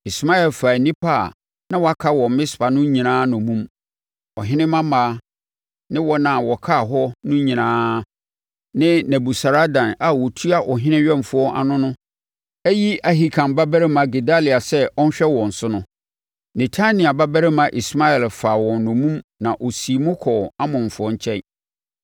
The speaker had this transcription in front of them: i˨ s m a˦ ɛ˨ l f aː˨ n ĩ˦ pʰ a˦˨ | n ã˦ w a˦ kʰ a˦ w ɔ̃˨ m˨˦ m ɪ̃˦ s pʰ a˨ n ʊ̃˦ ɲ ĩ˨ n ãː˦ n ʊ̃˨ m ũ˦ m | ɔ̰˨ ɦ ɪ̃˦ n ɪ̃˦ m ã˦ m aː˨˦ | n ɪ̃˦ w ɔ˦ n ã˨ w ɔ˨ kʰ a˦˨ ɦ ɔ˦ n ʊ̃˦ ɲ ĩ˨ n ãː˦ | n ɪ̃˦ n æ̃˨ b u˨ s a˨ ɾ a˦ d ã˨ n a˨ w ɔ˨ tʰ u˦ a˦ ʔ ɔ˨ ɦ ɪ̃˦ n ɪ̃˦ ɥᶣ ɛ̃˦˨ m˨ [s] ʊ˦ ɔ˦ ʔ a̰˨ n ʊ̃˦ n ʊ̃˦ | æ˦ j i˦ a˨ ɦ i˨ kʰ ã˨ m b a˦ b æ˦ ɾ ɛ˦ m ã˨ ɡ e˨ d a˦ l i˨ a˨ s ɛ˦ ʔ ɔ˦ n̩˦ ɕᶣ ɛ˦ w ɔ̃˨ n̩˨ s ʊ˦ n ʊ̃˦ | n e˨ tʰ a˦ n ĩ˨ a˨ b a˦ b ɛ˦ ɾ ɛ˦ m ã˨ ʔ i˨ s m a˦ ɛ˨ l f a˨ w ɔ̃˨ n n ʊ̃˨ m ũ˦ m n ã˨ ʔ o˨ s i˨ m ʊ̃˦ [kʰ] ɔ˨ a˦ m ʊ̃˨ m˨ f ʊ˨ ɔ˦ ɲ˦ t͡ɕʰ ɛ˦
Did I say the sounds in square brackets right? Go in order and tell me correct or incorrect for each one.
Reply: incorrect: f, correct

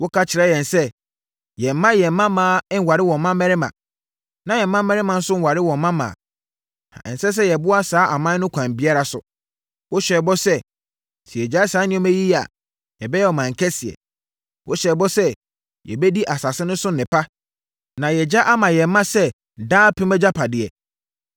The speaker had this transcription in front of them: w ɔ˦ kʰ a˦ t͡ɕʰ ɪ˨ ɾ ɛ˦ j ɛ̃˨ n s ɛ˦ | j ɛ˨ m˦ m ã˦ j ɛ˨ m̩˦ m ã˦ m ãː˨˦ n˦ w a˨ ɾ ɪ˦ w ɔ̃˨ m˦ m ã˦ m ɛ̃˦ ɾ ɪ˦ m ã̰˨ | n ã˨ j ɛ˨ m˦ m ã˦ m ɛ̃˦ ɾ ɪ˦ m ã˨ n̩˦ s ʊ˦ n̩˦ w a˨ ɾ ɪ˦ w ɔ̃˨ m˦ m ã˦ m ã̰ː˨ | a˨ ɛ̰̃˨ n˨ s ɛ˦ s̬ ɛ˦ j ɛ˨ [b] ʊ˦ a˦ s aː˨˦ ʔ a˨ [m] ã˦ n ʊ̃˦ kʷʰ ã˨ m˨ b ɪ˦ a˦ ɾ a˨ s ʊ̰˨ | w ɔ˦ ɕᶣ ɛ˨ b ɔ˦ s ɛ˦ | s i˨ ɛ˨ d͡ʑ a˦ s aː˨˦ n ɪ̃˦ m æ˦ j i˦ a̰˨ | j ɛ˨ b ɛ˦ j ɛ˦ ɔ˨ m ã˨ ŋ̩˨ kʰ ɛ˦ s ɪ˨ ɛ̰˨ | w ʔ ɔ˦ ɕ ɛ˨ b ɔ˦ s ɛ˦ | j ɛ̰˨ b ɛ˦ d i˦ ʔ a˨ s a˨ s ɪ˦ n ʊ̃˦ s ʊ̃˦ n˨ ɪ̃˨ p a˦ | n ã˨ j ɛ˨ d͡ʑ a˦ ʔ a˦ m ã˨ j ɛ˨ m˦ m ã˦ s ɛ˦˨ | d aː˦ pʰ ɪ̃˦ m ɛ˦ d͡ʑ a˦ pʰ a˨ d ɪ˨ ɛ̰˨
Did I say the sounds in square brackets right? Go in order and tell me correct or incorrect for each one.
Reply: correct, correct

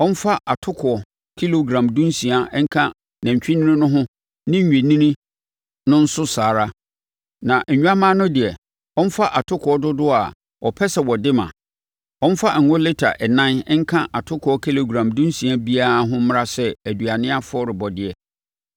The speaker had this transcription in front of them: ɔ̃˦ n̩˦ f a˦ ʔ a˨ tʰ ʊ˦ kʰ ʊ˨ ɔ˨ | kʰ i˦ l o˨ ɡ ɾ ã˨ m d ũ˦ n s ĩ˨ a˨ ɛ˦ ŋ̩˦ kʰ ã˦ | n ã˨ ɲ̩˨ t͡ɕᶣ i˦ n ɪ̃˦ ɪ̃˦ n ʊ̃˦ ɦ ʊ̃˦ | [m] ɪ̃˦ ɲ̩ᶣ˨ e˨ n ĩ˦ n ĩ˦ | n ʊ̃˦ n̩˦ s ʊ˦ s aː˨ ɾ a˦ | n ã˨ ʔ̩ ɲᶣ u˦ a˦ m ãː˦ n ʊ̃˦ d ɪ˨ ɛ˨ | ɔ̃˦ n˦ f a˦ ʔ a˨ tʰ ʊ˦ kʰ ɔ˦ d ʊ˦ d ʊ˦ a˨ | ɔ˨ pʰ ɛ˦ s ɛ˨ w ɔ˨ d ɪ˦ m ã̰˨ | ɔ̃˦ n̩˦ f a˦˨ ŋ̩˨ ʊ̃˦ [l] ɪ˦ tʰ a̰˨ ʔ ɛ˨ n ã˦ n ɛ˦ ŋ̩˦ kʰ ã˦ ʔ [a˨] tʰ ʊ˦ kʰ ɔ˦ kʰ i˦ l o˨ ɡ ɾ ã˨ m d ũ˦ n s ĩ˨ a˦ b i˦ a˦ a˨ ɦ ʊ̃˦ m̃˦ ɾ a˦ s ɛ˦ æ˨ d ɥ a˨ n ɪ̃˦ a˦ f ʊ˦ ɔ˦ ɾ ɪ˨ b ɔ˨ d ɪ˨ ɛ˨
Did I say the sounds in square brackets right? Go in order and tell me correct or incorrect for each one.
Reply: incorrect: n, correct, correct

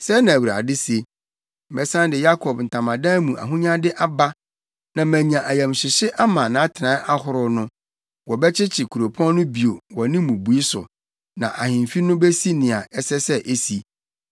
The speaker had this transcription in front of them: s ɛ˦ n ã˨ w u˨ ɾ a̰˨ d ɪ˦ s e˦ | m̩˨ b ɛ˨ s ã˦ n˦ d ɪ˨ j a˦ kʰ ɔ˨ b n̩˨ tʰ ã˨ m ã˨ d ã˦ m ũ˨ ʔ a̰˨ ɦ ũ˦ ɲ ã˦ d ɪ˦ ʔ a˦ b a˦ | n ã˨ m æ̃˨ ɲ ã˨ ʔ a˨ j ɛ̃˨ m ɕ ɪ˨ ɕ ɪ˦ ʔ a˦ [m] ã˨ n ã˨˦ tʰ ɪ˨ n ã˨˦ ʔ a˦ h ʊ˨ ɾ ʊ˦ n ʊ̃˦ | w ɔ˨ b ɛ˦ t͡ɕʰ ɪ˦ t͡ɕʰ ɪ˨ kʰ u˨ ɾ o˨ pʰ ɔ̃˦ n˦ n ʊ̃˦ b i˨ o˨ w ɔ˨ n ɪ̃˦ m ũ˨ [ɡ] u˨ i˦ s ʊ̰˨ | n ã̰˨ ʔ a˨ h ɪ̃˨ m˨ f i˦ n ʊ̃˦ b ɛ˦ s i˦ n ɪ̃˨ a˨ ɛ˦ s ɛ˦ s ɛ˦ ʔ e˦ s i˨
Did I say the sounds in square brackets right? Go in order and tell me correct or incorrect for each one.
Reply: correct, incorrect: b

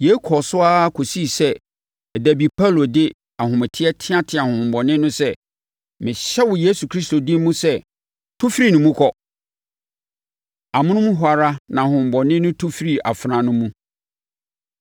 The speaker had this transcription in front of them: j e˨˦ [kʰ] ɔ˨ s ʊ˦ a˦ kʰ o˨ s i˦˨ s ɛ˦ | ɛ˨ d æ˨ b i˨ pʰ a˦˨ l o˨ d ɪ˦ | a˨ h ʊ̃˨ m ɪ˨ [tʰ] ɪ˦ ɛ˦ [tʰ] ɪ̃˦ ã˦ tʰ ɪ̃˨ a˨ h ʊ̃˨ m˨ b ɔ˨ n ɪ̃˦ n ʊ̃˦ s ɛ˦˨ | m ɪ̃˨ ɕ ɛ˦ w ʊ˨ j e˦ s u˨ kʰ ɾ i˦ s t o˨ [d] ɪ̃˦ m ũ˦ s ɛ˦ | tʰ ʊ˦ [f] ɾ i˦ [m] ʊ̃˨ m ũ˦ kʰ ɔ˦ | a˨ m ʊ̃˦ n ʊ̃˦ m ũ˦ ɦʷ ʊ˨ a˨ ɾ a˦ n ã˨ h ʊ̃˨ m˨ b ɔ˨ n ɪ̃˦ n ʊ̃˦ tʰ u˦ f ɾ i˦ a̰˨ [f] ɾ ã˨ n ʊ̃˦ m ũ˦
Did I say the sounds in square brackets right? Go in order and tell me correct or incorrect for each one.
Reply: correct, correct, correct, correct, correct, incorrect: n, correct

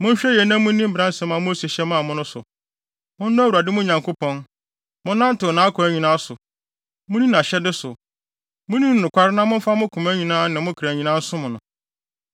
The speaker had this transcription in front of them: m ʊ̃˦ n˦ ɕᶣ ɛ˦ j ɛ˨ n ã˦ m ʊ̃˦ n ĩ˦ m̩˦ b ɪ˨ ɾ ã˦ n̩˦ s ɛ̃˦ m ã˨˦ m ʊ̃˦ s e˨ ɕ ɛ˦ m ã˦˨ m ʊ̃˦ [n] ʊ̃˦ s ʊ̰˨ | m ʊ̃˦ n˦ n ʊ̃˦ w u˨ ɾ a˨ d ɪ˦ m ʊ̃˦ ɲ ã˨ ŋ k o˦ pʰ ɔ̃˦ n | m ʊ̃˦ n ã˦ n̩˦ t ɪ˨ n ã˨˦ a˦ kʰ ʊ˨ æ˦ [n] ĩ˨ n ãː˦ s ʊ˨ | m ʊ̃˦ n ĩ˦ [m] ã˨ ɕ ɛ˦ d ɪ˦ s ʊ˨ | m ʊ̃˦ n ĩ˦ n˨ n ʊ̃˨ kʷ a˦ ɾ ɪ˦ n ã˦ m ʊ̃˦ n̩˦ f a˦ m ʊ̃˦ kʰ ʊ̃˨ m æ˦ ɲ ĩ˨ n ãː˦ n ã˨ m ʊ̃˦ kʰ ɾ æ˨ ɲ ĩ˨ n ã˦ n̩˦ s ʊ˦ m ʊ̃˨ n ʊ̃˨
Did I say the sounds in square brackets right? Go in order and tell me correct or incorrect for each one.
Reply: correct, incorrect: ɲ, incorrect: n

